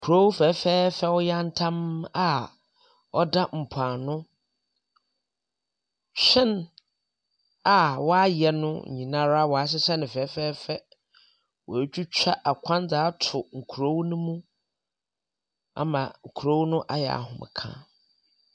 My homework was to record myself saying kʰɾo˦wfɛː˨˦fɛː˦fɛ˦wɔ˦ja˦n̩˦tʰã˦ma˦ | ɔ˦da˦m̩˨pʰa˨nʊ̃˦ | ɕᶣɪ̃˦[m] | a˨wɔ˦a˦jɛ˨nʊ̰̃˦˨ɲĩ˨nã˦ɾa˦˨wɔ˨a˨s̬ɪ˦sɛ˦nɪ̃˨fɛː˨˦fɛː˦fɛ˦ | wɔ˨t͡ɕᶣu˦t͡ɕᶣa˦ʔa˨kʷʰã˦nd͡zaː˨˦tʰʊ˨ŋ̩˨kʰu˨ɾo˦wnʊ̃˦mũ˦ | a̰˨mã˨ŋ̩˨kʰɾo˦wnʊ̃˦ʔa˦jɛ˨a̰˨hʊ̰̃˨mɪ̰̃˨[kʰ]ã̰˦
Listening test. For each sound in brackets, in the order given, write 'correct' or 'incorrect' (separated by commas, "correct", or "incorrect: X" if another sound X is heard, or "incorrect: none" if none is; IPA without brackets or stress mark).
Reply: incorrect: n, correct